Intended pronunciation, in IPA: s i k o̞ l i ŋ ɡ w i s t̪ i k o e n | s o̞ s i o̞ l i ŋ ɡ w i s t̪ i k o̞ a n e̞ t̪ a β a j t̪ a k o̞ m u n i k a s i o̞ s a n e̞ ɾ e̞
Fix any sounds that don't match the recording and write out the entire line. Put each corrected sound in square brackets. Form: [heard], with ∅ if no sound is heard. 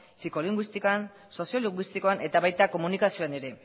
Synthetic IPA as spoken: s i k o̞ l i ŋ ɡ w i s t̪ i k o [a] n | s o̞ s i o̞ l i ŋ ɡ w i s t̪ i k o̞ a n e̞ t̪ a β a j t̪ a k o̞ m u n i k a s i o̞ [∅] a n e̞ ɾ e̞